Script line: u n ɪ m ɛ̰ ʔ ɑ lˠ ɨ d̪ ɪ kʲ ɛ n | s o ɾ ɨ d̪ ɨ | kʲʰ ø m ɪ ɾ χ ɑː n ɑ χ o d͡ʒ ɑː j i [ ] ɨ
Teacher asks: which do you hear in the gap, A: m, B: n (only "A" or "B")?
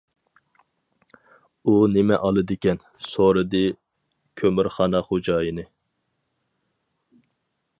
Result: B